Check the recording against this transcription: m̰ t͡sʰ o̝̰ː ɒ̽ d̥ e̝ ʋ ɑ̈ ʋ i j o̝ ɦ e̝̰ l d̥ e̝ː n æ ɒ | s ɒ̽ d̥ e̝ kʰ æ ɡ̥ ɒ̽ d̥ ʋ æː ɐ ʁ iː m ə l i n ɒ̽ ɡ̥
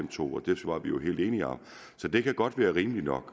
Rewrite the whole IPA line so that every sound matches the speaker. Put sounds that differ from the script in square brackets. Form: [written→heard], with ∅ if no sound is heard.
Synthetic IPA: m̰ t͡sʰ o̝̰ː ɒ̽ d̥ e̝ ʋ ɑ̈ ʋ i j o̝ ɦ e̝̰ l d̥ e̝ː n [æ→i] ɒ | s ɒ̽ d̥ e̝ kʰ æ ɡ̥ ɒ̽ d̥ ʋ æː ɐ ʁ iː m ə l i n ɒ̽ ɡ̥